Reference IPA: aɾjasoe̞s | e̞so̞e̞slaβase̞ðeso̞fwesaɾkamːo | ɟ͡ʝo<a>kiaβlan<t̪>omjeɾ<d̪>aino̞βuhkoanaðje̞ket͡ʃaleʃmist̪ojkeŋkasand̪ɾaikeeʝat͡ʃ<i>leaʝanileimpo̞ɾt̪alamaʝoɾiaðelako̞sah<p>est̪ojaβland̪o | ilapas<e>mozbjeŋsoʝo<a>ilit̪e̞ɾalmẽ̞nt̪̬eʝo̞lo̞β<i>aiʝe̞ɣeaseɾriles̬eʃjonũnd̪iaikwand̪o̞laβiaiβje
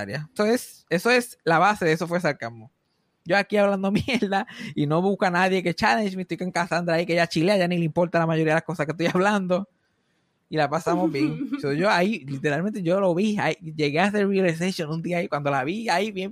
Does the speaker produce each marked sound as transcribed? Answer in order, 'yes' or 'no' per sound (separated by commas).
yes, no, yes, yes, no, no, yes, yes